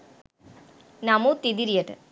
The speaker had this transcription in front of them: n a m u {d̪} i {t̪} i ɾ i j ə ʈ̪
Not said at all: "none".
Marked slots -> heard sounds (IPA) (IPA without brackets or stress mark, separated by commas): t̪, d̪